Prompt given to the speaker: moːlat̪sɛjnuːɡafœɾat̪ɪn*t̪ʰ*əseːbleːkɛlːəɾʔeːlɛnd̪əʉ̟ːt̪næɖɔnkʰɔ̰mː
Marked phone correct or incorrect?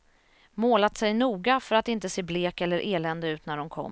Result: incorrect